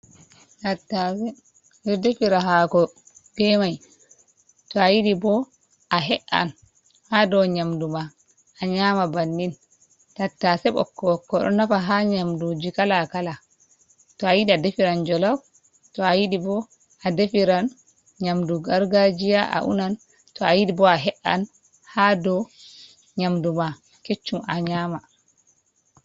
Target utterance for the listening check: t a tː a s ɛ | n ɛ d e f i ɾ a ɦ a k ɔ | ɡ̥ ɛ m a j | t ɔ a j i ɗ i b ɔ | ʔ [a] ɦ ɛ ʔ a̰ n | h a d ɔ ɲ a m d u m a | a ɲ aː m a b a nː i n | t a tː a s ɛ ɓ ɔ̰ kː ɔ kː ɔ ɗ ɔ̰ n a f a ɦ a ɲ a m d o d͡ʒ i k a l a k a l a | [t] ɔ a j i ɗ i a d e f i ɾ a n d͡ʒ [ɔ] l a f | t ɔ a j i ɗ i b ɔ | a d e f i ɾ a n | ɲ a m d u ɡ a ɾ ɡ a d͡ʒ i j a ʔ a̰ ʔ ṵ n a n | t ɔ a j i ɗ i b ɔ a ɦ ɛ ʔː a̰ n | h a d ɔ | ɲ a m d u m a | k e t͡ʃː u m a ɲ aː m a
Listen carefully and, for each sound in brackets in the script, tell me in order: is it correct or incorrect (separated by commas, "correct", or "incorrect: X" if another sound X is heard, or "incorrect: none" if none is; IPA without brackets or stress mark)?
correct, correct, correct